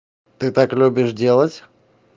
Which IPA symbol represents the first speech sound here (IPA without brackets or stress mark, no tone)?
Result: t̪